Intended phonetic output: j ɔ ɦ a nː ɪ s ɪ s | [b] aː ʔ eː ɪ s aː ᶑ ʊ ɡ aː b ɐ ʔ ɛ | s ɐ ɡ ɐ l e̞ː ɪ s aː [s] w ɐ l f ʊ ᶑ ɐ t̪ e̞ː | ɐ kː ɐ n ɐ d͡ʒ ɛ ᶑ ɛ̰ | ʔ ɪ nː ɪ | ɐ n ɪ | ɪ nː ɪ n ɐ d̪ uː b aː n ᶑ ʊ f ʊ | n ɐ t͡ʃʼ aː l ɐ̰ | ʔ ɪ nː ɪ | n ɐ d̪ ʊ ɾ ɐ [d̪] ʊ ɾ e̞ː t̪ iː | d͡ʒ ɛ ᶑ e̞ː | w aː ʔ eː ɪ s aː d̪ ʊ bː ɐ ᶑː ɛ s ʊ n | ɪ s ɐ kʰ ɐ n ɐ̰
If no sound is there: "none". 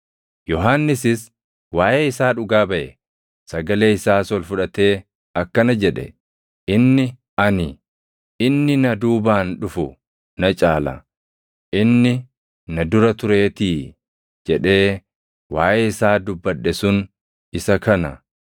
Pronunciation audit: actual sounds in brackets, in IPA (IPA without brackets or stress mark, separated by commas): w, s, t̪